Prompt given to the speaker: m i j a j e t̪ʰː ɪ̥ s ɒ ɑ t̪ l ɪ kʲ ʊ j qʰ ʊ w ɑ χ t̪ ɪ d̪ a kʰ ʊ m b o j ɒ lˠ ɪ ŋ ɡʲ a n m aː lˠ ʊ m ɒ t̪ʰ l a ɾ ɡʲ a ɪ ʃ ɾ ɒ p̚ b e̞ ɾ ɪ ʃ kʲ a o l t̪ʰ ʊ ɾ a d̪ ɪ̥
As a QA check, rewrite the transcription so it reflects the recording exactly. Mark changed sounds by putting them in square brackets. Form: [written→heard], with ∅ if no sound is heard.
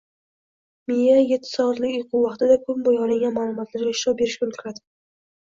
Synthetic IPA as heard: m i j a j e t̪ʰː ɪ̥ s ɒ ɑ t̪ l ɪ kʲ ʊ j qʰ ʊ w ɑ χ t̪ ɪ d̪ a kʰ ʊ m b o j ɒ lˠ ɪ ŋ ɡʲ a n m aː lˠ ʊ m ɒ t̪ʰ l a ɾ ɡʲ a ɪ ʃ ɾ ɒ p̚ b e̞ ɾ ɪ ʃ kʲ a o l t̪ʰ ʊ ɾ a d̪ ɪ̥